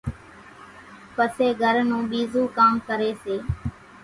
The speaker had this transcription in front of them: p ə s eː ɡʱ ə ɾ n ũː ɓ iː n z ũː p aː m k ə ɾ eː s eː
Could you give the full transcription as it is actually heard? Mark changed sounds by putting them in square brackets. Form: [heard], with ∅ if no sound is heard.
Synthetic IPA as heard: p ə s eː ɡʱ ə ɾ n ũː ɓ iː [∅] z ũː [k] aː m k ə ɾ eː s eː